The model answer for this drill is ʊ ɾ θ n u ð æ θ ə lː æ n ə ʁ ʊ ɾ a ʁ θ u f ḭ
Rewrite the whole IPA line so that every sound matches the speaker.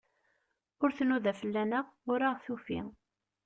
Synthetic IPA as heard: ʊ ɾ θ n u ð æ f ə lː æ n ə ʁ ʊ ɾ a ʁ θ u f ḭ